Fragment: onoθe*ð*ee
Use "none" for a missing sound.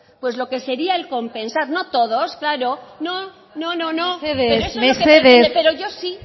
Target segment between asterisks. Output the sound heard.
ð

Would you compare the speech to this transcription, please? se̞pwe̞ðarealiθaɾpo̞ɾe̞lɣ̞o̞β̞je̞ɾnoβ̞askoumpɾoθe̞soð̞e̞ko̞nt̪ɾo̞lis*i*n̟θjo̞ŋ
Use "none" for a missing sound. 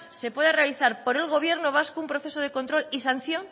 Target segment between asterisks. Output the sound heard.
a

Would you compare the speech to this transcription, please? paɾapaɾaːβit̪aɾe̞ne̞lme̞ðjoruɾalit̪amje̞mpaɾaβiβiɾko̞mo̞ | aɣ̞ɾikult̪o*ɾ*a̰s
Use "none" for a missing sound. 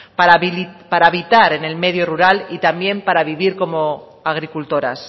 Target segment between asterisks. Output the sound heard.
ɾ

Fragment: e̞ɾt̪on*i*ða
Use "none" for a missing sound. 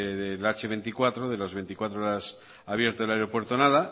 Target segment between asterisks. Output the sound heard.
a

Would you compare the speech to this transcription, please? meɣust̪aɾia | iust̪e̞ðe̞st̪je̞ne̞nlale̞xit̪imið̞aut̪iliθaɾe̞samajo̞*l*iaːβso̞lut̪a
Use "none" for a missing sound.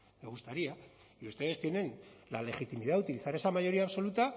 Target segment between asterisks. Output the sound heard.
ɾ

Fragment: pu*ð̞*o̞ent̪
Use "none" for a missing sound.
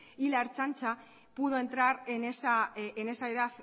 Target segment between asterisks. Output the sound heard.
ð̞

